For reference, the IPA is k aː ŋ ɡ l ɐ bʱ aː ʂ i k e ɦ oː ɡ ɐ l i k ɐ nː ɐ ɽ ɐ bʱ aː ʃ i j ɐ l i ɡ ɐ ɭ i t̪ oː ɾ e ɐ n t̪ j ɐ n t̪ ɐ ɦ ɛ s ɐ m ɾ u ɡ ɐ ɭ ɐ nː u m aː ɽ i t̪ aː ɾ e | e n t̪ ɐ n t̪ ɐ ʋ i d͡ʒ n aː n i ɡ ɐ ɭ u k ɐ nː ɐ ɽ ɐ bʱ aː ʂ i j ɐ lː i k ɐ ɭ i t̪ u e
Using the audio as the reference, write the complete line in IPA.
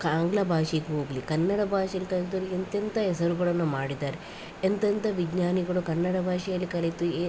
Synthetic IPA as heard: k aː ŋ ɡ l ɐ bʱ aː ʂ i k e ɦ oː ɡ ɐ l i k ɐ nː ɐ ɽ ɐ bʱ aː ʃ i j ɐ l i k ɐ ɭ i t̪ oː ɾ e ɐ n t̪ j ɐ n t̪ ɐ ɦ ɛ s ɐ ɾ u ɡ ɐ ɭ ɐ nː u m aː ɽ i d̪ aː ɾ e | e n t̪ ɐ n t̪ ɐ ʋ i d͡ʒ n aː n i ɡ ɐ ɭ u k ɐ nː ɐ ɽ ɐ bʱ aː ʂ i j ɐ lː i k ɐ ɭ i t̪ u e

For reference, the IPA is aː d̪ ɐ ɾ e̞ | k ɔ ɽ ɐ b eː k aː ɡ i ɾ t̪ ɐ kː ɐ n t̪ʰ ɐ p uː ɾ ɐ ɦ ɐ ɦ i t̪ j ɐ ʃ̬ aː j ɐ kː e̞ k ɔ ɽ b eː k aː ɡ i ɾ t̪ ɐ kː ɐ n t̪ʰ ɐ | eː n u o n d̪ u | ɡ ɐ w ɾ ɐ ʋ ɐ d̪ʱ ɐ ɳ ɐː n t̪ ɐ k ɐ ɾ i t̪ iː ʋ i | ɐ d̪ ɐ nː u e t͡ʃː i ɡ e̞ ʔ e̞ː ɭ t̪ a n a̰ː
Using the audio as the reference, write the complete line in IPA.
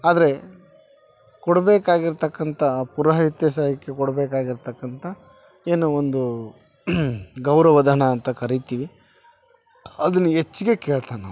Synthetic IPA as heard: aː d̪ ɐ ɾ e̞ | k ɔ ɽ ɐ b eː k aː ɡ i ɾ t̪ ɐ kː ɐ n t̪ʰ ɐ p u ɾ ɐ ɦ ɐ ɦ i t̪ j ɐ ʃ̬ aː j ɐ kː e̞ k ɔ ɽ b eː k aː ɡ i ɾ t̪ ɐ kː ɐ n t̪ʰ ɐ | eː n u o n d̪ u | ɡ ɐ w ɾ ɐ ʋ ɐ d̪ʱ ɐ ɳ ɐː n t̪ ɐ k ɐ ɾ i t̪ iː ʋ i | ɐ d̪ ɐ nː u e t͡ʃː i ɡ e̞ k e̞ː ɭ t̪ a n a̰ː

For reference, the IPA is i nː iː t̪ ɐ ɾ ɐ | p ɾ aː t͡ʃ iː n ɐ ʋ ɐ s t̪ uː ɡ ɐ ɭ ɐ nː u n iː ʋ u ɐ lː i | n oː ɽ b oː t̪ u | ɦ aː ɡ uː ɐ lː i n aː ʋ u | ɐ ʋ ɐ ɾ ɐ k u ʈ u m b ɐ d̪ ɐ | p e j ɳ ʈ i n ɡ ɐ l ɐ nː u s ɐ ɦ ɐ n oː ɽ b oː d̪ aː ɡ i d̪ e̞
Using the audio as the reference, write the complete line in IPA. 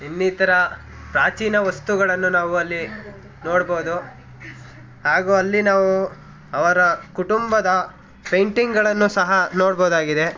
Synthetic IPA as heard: i nː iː t̪ ɐ ɾ ɐ | p ɾ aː t͡ʃ iː n ɐ ʋ ɐ s t̪ u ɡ ɐ ɭ ɐ nː u n aː ʋ u ɐ lː i | n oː ɽ b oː d̪ u | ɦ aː ɡ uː ɐ lː i n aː ʋ u | ɐ ʋ ɐ ɾ ɐ k u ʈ u m b ɐ d̪ ɐ | p e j ɳ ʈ i ŋ ɡ ɐ ɭ ɐ nː u s ɐ ɦ ɐ n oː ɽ b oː d̪ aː ɡ i d̪ e̞

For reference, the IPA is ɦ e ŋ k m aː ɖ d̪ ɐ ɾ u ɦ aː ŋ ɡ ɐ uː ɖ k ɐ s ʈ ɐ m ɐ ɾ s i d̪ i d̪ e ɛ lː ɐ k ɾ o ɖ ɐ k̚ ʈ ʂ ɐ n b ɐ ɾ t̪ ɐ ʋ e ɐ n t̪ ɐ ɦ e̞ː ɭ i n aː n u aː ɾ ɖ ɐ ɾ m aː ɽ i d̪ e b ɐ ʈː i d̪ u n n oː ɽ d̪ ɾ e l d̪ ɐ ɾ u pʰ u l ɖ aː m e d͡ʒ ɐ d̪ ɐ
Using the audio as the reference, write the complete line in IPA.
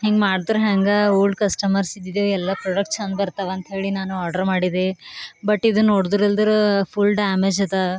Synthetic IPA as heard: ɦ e ŋ ɡ m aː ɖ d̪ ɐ ɾ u ɦ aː ŋ ɡ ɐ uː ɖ k ɐ s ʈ ɐ m ɐ ɾ s i d̪ i d̪ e ɛ lː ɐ p ɾ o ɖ ɐ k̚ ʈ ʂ ɐ n b ɐ ɾ t̪ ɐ ʋ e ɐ n t̪ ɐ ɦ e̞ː ɭ i n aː n u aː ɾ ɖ ɐ ɾ m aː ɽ i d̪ e b ɐ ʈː i d̪ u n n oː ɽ d̪ ɾ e l d̪ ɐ ɾ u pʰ u l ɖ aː m e d͡ʒ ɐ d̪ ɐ

